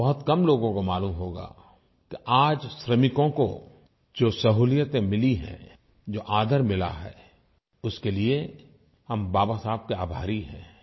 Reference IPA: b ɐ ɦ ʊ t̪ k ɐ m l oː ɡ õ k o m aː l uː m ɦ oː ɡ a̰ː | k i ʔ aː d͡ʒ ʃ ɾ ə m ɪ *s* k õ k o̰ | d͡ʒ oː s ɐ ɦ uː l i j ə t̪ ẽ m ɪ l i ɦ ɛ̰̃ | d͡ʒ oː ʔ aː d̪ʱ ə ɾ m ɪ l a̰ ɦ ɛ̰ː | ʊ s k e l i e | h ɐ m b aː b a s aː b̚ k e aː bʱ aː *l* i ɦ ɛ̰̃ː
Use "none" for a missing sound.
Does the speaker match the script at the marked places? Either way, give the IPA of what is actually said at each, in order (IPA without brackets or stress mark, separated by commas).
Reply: none, ɾ